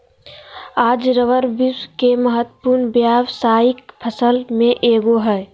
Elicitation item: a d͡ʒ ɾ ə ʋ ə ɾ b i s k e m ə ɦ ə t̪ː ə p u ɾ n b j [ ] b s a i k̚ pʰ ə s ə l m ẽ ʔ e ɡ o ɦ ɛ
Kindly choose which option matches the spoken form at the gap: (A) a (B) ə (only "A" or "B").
A